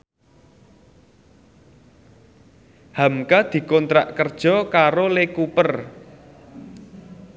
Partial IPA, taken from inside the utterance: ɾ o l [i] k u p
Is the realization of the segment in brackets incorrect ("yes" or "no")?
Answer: yes